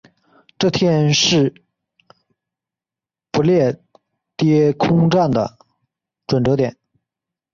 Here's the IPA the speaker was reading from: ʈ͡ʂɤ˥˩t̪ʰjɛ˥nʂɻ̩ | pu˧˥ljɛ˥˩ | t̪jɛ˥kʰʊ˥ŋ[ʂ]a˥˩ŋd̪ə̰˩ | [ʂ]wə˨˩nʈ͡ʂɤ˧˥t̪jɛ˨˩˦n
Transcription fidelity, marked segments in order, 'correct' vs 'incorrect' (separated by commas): incorrect, incorrect